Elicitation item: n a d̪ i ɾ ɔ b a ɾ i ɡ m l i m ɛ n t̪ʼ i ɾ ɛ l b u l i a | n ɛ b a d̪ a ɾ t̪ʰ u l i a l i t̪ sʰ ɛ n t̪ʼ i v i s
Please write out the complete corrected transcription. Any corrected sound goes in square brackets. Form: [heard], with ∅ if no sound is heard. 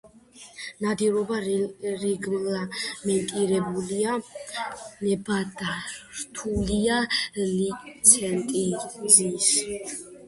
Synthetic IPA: n a d̪ i ɾ ɔ b a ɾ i ɡ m l [a] m ɛ n t̪ʼ i ɾ ɛ [∅] b u l i a | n ɛ b a d̪ a ɾ t̪ʰ u l i a l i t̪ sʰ ɛ n t̪ʼ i [z] i s

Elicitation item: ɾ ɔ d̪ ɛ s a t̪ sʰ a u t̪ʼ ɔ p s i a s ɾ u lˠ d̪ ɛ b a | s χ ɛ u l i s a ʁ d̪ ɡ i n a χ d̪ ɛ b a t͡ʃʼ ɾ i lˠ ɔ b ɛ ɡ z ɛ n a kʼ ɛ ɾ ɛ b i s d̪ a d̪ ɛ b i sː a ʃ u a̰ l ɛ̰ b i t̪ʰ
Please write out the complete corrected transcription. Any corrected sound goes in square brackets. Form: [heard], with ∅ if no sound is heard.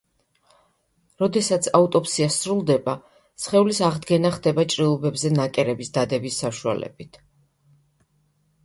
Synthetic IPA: ɾ ɔ d̪ ɛ s a t̪ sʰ a u t̪ʼ ɔ p s i a s ɾ u lˠ d̪ ɛ b a | s χ ɛ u l i s a ʁ d̪ ɡ [ɛ] n a χ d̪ ɛ b a t͡ʃʼ ɾ i lˠ ɔ b ɛ [b] z ɛ n a kʼ ɛ ɾ ɛ b i s d̪ a d̪ ɛ b i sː a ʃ u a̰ l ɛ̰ b i t̪ʰ

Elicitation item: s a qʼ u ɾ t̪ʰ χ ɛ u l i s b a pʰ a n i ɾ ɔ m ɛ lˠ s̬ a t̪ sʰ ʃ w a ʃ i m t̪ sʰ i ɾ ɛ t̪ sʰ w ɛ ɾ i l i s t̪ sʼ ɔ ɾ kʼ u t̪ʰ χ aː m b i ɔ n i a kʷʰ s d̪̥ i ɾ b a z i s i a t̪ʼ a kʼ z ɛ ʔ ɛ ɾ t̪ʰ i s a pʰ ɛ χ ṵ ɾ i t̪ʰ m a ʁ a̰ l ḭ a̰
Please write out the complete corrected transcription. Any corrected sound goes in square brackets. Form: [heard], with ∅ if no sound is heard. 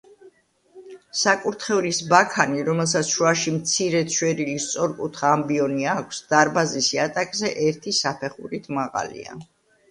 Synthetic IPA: s a [kʼ] u ɾ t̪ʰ χ ɛ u l i s b a [kʰ] a n i ɾ ɔ m ɛ lˠ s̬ a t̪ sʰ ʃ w a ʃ i m t̪ sʰ i ɾ ɛ t̪ sʰ w ɛ ɾ i l i s t̪ sʼ ɔ ɾ kʼ u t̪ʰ χ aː m b i ɔ n i a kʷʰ s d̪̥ [a] ɾ b a z i s i a t̪ʼ a kʼ z ɛ ʔ ɛ ɾ t̪ʰ i s a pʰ ɛ χ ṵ ɾ i t̪ʰ m a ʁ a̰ l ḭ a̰

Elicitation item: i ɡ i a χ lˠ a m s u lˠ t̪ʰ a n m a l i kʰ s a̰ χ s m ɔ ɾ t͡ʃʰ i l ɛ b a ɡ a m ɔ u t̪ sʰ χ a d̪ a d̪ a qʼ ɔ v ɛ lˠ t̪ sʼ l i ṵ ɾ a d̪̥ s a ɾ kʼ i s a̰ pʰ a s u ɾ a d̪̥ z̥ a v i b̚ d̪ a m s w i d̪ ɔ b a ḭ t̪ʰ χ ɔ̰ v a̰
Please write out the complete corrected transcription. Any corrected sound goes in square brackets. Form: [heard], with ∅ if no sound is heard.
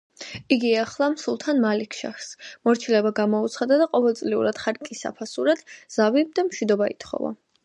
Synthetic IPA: i ɡ i a χ lˠ a m s u lˠ t̪ʰ a n m a l i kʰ [ʃ] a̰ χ s m ɔ ɾ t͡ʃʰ i l ɛ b a ɡ a m ɔ u t̪ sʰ χ a d̪ a d̪ a qʼ ɔ v ɛ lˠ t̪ sʼ l i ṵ ɾ a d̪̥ [χ] a ɾ kʼ i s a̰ pʰ a s u ɾ a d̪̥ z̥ a v i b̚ d̪ a m [ʃ] w i d̪ ɔ b a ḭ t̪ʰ χ ɔ̰ v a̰

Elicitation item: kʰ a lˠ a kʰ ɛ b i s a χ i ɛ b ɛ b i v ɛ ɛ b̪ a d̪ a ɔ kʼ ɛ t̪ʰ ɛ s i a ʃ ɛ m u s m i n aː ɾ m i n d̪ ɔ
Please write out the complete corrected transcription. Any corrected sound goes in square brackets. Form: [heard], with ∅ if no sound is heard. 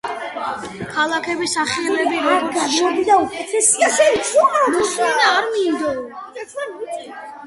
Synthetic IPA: kʰ a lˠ a kʰ ɛ b i s a χ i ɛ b ɛ b i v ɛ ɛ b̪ [i] d̪ a [u] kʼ ɛ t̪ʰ ɛ s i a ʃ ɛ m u s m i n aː ɾ m i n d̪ ɔ

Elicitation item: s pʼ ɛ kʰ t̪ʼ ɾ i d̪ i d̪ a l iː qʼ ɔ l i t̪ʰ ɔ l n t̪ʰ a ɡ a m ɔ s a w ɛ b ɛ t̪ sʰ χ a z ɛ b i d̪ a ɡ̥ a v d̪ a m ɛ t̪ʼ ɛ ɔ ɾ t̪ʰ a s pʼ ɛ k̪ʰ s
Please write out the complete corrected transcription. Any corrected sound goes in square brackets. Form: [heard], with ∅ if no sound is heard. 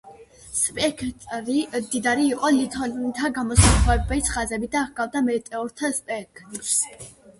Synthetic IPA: s pʼ ɛ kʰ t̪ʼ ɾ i d̪ i d̪ a [ɾ] iː qʼ ɔ l i t̪ʰ ɔ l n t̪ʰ a ɡ a m ɔ s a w ɛ b ɛ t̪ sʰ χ a z ɛ b i d̪ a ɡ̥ a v d̪ a m ɛ t̪ʼ ɛ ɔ ɾ t̪ʰ a s pʼ ɛ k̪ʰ s

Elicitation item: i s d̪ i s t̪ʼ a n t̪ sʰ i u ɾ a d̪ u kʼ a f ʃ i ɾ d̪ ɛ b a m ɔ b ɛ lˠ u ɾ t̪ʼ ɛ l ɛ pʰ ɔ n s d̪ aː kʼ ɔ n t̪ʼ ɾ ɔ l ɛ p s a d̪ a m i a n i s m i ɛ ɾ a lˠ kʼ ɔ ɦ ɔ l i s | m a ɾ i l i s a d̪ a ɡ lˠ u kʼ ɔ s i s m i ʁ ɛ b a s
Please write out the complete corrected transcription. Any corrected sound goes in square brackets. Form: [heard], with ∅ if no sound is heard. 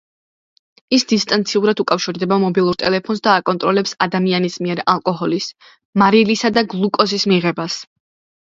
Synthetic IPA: i s d̪ i s t̪ʼ a n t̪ sʰ i u ɾ a d̪ u kʼ a f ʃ i ɾ d̪ ɛ b a m ɔ b [i] lˠ u ɾ t̪ʼ ɛ l ɛ pʰ ɔ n s d̪ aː kʼ ɔ n t̪ʼ ɾ ɔ l ɛ p s a d̪ a m i a n i s m i ɛ ɾ a lˠ kʼ ɔ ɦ ɔ l i s | m a ɾ i l i s a d̪ a ɡ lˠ u kʼ ɔ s i s m i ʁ ɛ b a s

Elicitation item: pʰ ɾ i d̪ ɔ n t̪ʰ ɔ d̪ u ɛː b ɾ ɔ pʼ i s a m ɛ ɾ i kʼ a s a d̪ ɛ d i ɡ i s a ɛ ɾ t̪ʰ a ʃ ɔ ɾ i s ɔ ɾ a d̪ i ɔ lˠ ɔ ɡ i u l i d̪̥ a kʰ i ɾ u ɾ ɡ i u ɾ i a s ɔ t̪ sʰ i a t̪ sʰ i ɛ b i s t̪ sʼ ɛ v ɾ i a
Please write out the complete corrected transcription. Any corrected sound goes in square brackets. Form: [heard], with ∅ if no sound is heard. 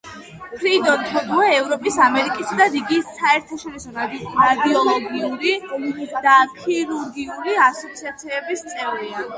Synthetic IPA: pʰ ɾ i d̪ ɔ n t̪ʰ ɔ d̪ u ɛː [v] ɾ ɔ pʼ i s a m ɛ ɾ i kʼ [i] s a d̪ [a] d i ɡ i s a ɛ ɾ t̪ʰ a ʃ ɔ ɾ i s ɔ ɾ a d̪ i ɔ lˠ ɔ ɡ i u [ɾ] i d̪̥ a kʰ i ɾ u ɾ ɡ i u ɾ i a s ɔ t̪ sʰ i a t̪ sʰ i ɛ b i s t̪ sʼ ɛ v ɾ i a

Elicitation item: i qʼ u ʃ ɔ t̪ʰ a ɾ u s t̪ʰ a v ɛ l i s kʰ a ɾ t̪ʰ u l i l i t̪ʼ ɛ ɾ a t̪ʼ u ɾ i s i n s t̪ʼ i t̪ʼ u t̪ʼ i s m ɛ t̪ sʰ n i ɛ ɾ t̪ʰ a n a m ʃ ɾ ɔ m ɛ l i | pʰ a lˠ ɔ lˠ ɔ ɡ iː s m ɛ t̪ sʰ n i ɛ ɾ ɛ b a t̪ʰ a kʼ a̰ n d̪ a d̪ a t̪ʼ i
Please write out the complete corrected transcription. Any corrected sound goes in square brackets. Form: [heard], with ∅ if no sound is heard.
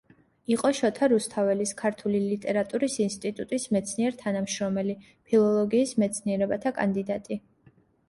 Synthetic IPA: i qʼ [ɔ] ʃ ɔ t̪ʰ a ɾ u s t̪ʰ a v ɛ l i s kʰ a ɾ t̪ʰ u l i l i t̪ʼ ɛ ɾ a t̪ʼ u ɾ i s i n s t̪ʼ i t̪ʼ u t̪ʼ i s m ɛ t̪ sʰ n i ɛ ɾ t̪ʰ a n a m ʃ ɾ ɔ m ɛ l i | pʰ [i] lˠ ɔ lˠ ɔ ɡ iː s m ɛ t̪ sʰ n i ɛ ɾ ɛ b a t̪ʰ a kʼ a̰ n d̪ [i] d̪ a t̪ʼ i

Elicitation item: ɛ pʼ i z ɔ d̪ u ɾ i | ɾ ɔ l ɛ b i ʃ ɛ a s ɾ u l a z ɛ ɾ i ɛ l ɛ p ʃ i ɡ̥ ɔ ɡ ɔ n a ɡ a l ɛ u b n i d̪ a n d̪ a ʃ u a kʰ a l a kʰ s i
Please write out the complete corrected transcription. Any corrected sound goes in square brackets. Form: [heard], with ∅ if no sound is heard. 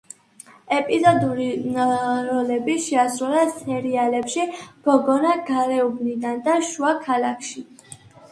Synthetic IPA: ɛ pʼ i z ɔ d̪ u ɾ i | ɾ ɔ l ɛ b i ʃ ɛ a s ɾ u l a [s] ɛ ɾ i [a] l ɛ p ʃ i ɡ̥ ɔ ɡ ɔ n a ɡ a [ɾ] ɛ u b n i d̪ a n d̪ a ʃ u a kʰ a l a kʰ [ʃ] i

